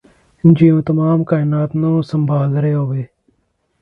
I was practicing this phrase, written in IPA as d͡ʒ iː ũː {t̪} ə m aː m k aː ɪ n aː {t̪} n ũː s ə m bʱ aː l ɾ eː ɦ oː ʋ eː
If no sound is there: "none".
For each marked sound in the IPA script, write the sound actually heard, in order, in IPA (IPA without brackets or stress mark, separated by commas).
t̪, t̪